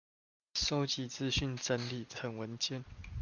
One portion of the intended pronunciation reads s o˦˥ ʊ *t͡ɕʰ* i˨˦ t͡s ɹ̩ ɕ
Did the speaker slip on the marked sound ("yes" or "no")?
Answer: yes